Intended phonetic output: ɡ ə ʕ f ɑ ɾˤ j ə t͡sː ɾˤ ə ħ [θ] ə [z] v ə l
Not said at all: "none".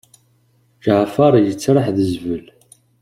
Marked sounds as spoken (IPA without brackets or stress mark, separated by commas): ð, z